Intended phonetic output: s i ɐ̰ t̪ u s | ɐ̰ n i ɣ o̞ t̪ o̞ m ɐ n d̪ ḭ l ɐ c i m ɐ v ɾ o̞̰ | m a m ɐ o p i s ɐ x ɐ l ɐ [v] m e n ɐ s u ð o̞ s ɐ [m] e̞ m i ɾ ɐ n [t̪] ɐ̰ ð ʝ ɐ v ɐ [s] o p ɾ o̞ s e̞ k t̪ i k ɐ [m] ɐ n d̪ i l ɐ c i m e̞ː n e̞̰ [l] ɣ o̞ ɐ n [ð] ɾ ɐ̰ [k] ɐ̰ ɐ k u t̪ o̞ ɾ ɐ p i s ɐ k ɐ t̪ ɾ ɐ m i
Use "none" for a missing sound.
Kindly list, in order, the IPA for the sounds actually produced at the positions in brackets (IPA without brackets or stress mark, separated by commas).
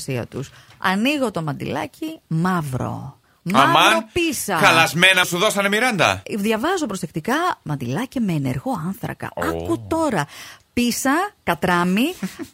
z, n, d̪, z, m, ɾ, θ, k